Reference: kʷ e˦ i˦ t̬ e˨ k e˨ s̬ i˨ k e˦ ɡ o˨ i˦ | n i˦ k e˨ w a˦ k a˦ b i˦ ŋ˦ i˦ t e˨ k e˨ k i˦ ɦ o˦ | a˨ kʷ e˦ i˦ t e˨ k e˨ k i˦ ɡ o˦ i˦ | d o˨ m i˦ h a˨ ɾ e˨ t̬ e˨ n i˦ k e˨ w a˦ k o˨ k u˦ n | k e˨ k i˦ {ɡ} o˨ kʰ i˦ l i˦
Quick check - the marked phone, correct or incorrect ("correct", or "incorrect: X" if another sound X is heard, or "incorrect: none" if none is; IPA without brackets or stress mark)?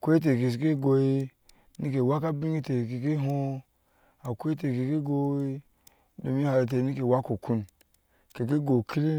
correct